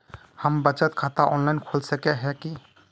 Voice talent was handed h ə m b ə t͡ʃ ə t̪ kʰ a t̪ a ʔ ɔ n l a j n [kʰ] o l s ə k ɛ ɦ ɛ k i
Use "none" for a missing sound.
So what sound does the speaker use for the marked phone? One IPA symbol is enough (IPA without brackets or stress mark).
kʰ